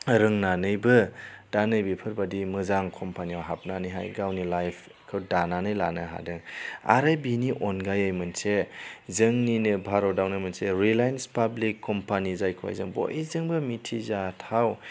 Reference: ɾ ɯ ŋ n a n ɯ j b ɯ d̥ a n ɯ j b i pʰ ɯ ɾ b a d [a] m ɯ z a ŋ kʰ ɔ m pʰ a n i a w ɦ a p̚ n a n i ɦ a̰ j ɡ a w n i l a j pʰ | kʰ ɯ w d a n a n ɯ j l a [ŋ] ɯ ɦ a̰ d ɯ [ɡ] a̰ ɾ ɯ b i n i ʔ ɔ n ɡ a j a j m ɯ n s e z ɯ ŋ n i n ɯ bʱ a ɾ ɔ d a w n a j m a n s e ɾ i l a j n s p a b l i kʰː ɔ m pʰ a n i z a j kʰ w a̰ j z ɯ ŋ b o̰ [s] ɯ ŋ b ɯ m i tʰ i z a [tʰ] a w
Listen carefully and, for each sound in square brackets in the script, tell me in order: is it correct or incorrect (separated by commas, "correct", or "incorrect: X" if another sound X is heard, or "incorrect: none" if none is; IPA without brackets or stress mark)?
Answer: incorrect: i, incorrect: n, incorrect: ŋ, incorrect: z, correct